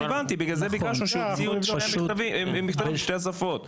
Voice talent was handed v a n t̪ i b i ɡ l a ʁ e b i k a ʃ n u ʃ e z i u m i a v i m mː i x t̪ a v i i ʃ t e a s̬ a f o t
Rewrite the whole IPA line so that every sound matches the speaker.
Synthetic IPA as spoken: v a n t̪ i b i ɡ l a z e b i k a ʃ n u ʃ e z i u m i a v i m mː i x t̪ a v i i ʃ t e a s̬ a f o t